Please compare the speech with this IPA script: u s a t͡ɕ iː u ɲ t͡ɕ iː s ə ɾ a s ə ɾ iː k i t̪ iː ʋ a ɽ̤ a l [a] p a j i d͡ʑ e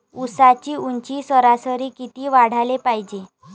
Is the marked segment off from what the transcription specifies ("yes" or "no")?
yes